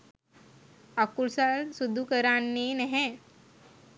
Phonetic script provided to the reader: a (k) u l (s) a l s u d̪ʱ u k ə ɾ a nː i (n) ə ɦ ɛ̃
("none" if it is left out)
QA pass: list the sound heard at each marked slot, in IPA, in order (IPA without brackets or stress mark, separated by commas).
k, s, n